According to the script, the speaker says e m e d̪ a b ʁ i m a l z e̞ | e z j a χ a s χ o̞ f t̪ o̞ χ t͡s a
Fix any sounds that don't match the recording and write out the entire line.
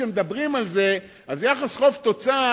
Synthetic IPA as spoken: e m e d̪ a b ʁ i m a l z e̞ | a z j a χ a s χ o̞ f t̪ o̞ t͡s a